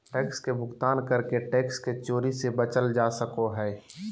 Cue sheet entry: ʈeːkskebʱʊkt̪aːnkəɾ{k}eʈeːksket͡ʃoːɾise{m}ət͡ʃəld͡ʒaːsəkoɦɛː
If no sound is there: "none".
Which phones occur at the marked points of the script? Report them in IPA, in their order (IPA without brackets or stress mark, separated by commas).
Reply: k, b